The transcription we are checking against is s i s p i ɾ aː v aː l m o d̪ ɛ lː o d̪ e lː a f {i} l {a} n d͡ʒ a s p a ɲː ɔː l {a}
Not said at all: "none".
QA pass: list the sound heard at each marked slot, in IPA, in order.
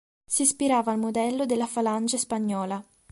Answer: a, a, a

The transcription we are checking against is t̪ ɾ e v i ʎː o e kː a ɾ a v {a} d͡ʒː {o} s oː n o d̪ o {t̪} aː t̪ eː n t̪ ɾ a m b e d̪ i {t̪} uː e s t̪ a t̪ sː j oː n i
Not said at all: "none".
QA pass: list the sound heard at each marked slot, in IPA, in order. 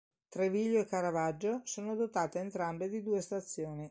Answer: a, o, t̪, d̪

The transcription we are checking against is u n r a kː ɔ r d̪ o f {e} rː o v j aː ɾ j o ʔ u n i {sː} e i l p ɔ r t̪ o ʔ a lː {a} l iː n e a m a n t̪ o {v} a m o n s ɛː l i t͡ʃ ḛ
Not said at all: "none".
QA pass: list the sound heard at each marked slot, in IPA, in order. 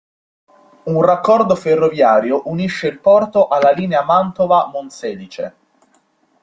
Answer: e, ʃː, a, v

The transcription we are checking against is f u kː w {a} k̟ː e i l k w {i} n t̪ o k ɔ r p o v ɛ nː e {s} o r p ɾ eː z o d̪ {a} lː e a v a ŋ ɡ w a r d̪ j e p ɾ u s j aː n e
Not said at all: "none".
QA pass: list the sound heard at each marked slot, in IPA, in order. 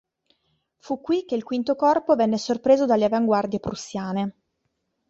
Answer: i, i, s, a

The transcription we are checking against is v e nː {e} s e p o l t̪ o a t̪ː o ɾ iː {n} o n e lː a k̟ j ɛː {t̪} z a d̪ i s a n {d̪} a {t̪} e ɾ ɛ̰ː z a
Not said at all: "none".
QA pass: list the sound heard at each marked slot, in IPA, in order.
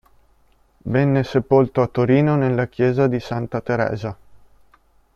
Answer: e, n, none, t̪, t̪

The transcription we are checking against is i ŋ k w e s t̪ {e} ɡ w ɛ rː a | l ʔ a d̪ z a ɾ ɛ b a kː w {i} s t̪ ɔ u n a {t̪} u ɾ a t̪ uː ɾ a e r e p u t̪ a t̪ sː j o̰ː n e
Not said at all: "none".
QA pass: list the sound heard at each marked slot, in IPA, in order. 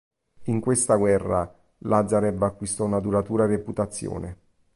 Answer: a, i, d̪

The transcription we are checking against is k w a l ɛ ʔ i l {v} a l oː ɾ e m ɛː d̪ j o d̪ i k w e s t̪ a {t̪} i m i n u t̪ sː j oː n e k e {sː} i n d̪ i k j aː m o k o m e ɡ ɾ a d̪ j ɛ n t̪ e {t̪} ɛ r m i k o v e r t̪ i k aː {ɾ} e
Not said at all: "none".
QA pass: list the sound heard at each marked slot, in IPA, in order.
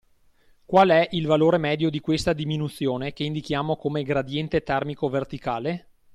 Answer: v, d̪, none, t̪, l

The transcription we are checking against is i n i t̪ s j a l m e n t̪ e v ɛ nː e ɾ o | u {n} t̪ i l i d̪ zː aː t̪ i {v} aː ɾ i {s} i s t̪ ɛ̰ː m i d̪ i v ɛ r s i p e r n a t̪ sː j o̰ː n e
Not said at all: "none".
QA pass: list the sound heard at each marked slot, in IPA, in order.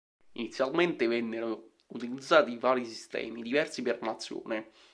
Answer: none, v, s

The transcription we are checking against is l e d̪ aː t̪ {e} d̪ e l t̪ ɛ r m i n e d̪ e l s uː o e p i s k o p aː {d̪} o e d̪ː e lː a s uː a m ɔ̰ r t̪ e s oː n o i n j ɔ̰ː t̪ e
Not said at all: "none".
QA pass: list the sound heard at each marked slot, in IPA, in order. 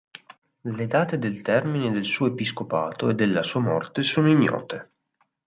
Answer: e, t̪

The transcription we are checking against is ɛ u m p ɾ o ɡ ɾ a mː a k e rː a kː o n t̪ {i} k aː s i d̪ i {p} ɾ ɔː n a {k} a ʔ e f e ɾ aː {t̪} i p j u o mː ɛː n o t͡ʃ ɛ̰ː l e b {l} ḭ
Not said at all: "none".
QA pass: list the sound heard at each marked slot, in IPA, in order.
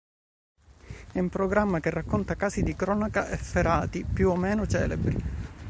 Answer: a, k, k, t̪, ɾ

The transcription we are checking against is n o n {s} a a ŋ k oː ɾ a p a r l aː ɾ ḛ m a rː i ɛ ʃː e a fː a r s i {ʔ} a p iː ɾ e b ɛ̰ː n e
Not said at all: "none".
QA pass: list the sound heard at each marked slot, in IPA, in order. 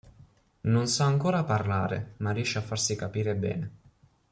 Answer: s, k

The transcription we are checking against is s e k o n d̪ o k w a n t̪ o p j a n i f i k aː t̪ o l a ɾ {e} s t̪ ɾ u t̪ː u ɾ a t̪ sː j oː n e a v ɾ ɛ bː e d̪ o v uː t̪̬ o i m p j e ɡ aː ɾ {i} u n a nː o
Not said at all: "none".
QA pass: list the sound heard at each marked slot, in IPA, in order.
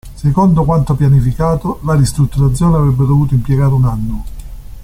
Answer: i, e

